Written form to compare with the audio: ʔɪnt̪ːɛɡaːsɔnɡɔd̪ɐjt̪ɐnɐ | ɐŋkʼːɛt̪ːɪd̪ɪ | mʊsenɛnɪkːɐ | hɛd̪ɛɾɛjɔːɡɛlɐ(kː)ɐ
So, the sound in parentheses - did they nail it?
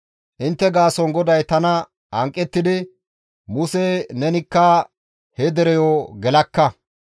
yes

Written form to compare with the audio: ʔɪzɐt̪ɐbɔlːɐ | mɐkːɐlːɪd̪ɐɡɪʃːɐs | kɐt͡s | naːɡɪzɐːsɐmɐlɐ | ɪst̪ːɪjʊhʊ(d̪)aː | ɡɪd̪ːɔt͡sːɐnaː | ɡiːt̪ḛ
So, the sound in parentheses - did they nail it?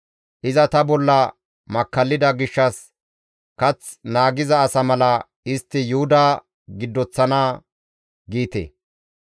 yes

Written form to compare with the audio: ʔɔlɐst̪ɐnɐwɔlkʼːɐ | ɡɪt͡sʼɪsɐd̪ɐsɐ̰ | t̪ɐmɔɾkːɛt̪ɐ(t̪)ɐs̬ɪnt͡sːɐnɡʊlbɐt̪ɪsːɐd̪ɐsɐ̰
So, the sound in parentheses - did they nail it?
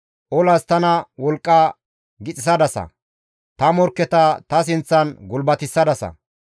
yes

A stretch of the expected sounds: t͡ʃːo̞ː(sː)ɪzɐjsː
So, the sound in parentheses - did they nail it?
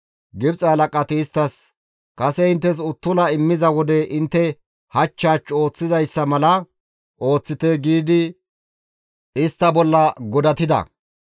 no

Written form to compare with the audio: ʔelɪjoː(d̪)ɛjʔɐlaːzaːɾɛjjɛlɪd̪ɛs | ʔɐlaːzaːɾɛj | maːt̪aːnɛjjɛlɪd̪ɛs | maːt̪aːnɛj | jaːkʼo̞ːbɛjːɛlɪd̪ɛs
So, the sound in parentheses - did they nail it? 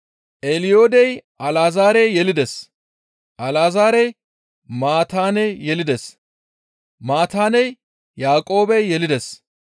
yes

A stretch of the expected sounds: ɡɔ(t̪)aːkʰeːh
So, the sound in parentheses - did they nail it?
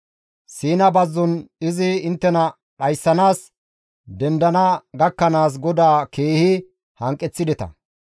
no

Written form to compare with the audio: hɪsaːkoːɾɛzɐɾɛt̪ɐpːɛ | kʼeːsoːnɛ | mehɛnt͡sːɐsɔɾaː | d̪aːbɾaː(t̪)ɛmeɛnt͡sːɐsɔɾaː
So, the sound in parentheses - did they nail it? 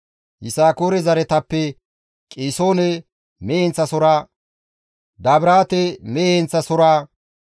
yes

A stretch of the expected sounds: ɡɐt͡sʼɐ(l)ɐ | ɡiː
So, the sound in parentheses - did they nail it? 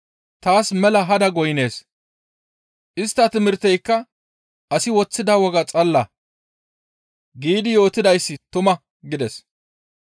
no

